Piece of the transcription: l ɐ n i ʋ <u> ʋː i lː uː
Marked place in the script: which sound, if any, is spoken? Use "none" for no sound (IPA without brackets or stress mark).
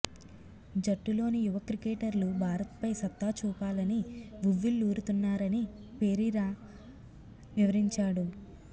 u